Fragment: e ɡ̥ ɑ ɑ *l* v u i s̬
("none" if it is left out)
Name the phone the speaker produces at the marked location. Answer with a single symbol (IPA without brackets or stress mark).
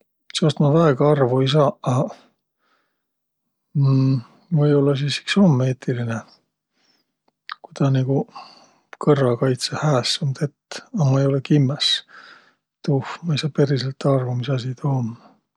r